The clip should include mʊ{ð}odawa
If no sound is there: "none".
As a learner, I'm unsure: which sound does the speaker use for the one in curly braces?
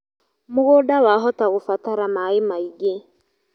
ɣ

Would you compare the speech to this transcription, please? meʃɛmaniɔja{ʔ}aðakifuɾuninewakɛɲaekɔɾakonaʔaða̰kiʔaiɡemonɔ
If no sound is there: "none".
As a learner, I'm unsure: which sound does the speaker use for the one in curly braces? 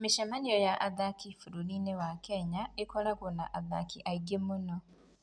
ʔ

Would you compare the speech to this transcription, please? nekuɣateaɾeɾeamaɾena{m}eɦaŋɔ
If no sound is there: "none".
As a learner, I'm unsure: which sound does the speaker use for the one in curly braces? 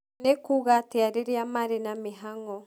m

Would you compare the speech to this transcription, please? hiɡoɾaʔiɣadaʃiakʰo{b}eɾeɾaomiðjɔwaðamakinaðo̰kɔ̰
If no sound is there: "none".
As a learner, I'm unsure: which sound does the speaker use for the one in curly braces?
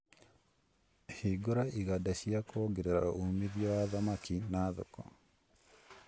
ɡ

